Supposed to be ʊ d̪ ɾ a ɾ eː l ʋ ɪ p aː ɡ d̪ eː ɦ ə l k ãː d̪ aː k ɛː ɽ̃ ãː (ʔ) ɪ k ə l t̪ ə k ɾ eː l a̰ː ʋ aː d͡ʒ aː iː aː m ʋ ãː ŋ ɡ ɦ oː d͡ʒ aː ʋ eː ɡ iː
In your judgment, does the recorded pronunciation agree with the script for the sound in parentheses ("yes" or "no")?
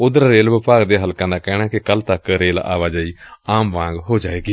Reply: no